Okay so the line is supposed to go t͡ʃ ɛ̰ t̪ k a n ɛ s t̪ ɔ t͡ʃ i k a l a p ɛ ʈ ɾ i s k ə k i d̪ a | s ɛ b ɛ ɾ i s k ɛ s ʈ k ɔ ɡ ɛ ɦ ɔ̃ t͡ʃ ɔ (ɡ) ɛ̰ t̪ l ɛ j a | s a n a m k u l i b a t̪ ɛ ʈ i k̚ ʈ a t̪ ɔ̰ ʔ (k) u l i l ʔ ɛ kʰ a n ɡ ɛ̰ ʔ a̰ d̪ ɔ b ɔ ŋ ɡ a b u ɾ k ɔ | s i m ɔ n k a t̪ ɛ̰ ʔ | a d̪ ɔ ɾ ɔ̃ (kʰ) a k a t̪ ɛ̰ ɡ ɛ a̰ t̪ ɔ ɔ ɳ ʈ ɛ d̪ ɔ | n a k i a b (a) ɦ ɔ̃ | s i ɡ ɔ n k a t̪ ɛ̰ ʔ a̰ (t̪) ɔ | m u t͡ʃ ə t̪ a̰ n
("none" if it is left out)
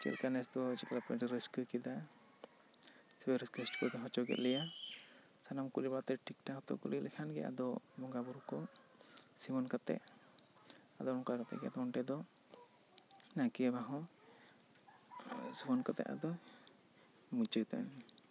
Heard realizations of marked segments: ɡ, k, k, a, d̪

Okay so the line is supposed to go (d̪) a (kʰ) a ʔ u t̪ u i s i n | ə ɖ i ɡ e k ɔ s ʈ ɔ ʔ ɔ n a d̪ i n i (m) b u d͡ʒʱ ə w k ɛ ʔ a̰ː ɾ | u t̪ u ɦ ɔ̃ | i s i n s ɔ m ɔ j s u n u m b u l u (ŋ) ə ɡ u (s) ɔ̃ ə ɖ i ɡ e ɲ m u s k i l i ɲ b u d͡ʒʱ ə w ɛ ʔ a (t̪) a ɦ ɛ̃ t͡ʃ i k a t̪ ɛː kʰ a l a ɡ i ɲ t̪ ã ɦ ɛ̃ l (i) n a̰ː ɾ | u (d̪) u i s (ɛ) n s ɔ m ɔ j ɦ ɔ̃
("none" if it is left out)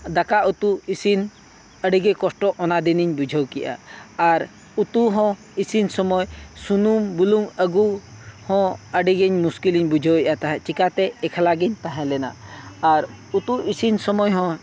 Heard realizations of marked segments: d̪, k, ɲ, ŋ, h, t̪, ɛ, t̪, i

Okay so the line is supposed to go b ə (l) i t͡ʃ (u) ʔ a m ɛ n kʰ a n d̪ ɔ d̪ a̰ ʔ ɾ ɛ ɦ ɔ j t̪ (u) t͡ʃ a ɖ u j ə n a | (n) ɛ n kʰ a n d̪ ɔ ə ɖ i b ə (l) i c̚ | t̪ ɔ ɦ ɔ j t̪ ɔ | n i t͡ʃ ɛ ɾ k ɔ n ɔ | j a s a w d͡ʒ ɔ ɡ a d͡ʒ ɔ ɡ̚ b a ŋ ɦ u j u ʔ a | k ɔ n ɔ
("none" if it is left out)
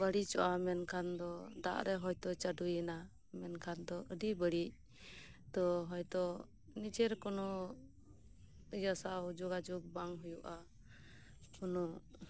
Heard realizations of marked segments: ɽ, ɔ, ɔ, m, ɽ

